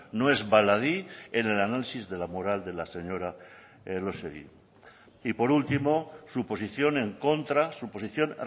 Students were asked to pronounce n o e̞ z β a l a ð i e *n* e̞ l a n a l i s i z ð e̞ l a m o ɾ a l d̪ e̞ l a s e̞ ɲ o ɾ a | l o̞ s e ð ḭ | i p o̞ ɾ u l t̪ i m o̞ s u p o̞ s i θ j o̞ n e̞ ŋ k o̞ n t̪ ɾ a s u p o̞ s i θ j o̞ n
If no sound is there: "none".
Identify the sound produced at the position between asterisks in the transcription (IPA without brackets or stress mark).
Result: n